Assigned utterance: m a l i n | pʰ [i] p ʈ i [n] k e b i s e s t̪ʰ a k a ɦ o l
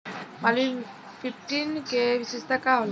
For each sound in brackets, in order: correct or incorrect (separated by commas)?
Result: correct, correct